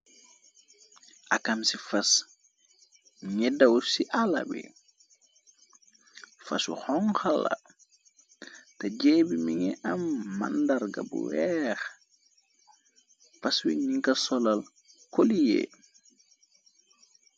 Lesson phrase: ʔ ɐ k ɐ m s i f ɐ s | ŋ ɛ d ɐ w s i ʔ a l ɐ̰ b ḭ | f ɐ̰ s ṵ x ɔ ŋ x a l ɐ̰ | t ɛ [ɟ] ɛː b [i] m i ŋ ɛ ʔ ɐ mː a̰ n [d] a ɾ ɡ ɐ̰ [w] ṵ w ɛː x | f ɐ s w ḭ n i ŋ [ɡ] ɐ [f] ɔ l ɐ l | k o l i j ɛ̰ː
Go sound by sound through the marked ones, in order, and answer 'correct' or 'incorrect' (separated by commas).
correct, correct, correct, incorrect, incorrect, incorrect